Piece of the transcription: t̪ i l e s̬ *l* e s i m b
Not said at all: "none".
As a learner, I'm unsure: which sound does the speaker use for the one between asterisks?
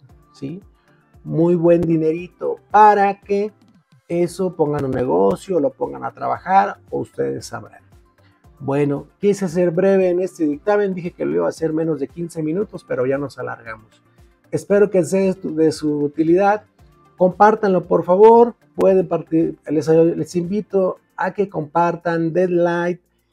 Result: l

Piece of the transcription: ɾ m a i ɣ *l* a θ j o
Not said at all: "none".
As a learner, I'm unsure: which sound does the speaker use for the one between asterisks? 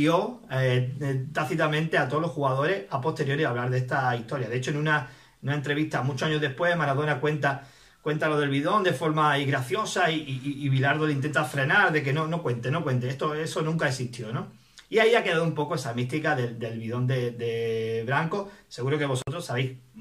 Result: ɾ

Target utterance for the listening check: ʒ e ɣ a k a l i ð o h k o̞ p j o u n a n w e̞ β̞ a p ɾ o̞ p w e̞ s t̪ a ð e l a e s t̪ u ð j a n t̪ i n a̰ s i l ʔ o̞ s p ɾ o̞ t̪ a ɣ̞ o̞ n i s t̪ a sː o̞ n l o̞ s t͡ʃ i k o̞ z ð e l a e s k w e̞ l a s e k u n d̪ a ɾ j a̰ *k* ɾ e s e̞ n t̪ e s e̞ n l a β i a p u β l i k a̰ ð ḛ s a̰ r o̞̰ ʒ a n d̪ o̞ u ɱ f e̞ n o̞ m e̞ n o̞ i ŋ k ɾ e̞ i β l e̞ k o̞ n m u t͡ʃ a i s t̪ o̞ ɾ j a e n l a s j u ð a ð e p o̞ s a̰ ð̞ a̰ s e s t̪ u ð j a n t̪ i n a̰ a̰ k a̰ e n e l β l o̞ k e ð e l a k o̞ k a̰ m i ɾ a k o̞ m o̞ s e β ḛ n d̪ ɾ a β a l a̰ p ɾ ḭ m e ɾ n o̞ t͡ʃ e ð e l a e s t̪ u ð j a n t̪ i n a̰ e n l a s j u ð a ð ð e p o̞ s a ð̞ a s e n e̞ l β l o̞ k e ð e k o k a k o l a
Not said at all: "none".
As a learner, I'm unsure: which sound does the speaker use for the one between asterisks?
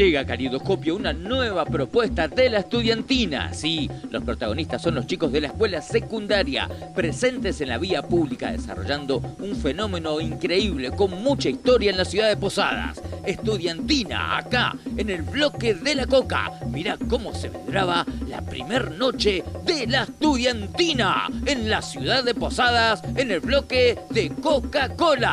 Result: p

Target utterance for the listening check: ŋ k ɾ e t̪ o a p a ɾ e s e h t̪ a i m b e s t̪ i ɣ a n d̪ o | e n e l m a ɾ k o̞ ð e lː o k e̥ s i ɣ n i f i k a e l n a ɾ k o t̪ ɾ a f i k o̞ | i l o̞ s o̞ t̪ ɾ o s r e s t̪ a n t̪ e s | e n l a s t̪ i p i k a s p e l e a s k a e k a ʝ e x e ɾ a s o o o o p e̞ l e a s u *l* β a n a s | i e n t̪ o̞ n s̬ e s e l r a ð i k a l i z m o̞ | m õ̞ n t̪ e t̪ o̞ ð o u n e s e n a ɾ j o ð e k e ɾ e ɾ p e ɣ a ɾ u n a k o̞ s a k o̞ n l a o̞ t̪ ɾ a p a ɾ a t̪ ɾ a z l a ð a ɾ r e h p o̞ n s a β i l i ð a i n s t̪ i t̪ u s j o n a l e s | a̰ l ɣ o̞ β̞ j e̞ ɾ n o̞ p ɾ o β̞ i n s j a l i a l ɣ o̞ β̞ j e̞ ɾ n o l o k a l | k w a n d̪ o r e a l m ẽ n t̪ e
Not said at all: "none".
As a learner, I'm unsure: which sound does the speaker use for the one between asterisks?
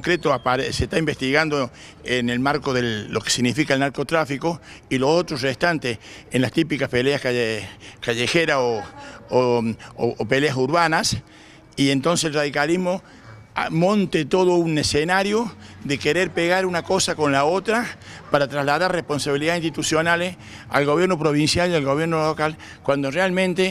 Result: ɾ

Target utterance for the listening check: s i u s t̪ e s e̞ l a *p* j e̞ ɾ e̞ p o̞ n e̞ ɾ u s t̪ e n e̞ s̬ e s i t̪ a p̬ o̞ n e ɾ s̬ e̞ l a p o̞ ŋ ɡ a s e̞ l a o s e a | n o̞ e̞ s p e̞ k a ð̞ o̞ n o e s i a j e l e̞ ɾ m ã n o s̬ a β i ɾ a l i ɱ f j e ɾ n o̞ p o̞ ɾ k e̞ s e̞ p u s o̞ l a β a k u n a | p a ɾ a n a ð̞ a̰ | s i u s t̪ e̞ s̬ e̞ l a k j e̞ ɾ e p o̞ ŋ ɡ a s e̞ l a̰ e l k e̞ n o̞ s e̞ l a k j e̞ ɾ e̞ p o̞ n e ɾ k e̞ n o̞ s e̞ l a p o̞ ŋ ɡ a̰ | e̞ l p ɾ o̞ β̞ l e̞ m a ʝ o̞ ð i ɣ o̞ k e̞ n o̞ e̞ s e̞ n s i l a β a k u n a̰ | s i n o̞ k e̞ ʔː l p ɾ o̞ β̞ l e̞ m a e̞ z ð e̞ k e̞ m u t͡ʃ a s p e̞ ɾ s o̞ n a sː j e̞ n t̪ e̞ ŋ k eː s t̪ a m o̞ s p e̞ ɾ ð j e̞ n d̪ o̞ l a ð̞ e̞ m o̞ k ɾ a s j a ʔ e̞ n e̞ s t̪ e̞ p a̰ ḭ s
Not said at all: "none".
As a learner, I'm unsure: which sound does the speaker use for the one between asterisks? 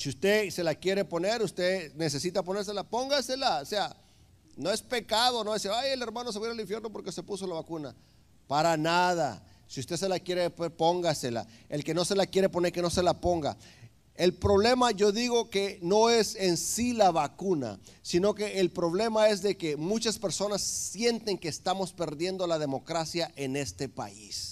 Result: k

